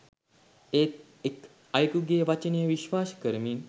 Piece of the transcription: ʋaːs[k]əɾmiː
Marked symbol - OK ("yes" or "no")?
yes